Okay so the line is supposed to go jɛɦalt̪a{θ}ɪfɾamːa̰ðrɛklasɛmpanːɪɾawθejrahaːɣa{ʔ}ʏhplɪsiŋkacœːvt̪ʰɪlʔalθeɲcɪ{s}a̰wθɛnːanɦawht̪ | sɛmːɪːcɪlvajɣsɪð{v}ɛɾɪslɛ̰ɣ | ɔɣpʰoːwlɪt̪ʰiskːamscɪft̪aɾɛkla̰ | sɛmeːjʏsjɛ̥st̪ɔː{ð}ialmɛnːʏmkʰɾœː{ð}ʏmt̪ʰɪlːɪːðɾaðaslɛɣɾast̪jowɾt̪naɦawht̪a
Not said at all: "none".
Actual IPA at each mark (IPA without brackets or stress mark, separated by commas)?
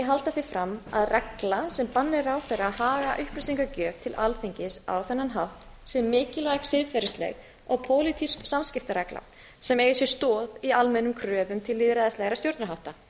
θ, ʔ, s, f, ð, v